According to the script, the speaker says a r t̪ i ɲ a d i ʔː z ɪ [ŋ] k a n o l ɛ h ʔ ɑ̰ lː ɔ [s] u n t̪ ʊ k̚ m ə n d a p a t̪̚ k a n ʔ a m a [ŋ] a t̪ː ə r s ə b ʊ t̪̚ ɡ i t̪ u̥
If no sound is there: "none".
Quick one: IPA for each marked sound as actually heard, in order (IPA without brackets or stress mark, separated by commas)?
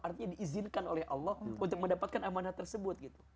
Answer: n, h, n